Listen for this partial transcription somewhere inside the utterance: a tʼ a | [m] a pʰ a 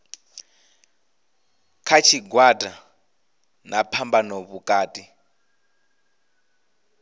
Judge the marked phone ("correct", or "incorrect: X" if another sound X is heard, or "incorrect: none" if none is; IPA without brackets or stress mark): incorrect: n